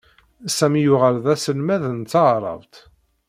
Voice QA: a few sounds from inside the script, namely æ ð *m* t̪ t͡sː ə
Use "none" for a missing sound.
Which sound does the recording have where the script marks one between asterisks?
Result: n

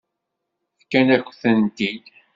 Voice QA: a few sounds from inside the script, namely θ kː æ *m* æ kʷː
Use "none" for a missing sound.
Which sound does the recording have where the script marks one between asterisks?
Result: n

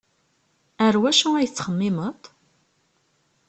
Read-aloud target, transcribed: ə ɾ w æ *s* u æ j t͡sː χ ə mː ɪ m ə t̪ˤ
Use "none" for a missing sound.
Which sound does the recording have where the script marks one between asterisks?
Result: ʃ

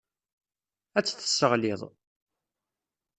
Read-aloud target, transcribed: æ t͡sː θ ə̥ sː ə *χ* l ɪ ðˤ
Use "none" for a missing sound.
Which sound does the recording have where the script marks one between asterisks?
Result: ʁ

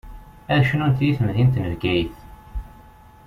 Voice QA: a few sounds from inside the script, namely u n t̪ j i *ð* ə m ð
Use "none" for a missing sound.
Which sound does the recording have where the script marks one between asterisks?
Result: θ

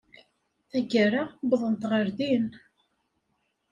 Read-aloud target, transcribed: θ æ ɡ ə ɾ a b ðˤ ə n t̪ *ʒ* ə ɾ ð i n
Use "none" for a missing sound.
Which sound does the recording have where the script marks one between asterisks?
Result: ʁ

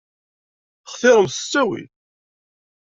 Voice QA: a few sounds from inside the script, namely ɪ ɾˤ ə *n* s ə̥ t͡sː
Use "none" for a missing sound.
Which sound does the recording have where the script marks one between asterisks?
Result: m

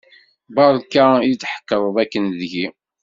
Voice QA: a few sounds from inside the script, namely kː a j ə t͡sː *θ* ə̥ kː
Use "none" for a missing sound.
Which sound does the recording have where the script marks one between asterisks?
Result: ħ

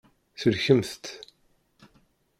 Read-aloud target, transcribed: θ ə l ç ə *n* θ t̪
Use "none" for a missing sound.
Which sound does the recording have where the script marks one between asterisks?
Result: m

